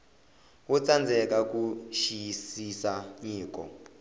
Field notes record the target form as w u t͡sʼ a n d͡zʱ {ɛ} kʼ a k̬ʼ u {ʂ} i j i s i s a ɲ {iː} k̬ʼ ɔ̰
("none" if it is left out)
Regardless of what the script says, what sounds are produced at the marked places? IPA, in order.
ɛ, ʃ, iː

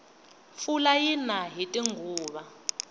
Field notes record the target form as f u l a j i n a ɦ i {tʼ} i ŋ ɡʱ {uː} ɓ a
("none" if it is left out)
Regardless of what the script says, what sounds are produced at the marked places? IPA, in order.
tʼ, uː

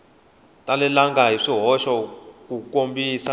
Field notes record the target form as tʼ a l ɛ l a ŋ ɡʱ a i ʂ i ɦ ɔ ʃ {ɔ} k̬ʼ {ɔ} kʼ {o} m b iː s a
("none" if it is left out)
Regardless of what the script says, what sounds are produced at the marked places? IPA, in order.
ɔ, u, o

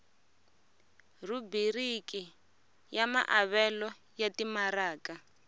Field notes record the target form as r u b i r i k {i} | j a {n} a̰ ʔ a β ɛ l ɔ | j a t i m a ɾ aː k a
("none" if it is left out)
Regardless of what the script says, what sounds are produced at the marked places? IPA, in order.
i, m

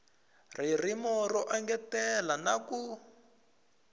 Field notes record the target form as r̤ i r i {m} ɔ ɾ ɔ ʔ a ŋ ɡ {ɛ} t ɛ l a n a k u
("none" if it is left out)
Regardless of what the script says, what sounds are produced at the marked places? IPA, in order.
m, ɛ

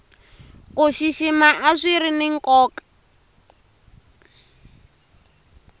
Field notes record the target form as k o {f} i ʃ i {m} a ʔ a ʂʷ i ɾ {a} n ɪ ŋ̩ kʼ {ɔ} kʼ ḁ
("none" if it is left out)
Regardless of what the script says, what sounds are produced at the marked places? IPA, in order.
ʃ, m, i, ɔː

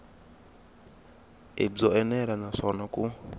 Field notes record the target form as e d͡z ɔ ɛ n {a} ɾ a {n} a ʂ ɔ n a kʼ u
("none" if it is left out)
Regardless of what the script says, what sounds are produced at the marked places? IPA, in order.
ɛ, n

